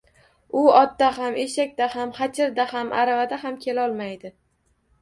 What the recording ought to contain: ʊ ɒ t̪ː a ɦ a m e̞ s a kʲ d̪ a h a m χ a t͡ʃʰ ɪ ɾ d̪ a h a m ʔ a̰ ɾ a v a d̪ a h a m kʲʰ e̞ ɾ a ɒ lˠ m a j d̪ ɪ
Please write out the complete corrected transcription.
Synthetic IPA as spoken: ʊ ɒ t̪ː a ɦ a m e̞ ʃ a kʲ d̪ a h a m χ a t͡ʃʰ ɪ ɾ d̪ a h a m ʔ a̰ ɾ a v a d̪ a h a m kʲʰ e̞ l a ɒ lˠ m a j d̪ ɪ